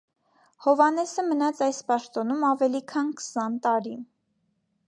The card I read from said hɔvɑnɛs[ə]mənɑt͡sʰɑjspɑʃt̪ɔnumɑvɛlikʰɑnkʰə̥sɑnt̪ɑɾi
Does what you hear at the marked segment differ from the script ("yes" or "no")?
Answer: no